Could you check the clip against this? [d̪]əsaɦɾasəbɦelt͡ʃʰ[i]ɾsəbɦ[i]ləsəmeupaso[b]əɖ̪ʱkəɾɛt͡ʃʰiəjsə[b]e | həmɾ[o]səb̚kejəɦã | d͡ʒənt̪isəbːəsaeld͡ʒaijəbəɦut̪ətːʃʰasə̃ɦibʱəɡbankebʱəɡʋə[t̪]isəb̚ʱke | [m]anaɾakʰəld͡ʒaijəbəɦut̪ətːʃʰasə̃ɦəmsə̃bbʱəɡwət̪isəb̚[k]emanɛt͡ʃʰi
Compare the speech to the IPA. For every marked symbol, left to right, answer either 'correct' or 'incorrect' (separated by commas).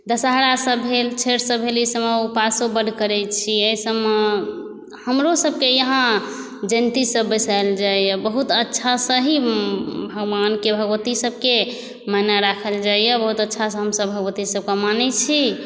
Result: correct, incorrect, incorrect, correct, incorrect, correct, correct, correct, correct